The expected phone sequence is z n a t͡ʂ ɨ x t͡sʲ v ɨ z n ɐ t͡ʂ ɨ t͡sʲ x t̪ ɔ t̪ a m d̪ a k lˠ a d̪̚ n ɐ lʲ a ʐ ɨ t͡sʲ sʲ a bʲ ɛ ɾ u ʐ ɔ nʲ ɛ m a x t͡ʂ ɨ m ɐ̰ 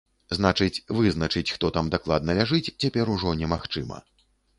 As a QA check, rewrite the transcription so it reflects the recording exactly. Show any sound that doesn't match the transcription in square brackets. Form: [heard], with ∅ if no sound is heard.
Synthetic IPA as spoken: z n a t͡ʂ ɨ [∅] t͡sʲ v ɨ z n ɐ t͡ʂ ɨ t͡sʲ x t̪ ɔ t̪ a m d̪ a k lˠ a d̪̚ n ɐ lʲ a ʐ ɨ t͡sʲ [t͡sʲ] a [pʲ] ɛ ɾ u ʐ ɔ nʲ ɛ m a x t͡ʂ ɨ m ɐ̰